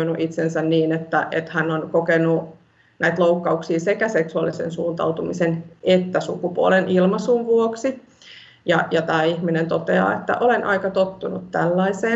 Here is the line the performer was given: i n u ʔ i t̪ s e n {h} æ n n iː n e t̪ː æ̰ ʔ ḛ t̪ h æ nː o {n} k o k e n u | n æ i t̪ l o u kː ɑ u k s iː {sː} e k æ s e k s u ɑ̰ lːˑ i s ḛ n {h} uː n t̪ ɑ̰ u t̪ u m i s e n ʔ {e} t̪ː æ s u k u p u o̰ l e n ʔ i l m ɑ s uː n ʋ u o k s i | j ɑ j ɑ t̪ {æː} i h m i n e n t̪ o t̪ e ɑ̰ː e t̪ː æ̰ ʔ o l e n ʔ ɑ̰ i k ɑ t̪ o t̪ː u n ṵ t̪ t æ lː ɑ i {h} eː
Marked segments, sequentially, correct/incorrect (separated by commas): incorrect, correct, incorrect, incorrect, correct, correct, incorrect